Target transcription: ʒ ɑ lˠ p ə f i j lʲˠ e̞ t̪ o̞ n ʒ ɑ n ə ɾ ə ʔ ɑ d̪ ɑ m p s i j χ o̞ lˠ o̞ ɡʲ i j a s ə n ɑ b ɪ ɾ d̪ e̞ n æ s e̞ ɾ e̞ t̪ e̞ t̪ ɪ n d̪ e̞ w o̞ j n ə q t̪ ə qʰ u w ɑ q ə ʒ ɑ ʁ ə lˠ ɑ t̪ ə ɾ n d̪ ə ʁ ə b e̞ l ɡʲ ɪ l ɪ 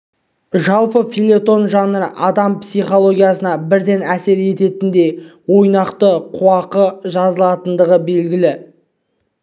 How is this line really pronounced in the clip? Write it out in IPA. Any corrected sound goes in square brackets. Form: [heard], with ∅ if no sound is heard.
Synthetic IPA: ʒ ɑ lˠ p ə f i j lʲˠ e̞ t̪ o̞ n ʒ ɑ n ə ɾ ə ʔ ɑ d̪ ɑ m p s i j χ o̞ lˠ o̞ ɡʲ i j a s ə n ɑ b ɪ ɾ d̪ e̞ n æ s e̞ ɾ e̞ t̪ e̞ t̪ ɪ n d̪ e̞ w o̞ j n [ɑ] q t̪ ə qʰ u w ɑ q ə ʒ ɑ [z] ə lˠ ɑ t̪ ə [∅] n d̪ ə ʁ ə b e̞ l ɡʲ ɪ l ɪ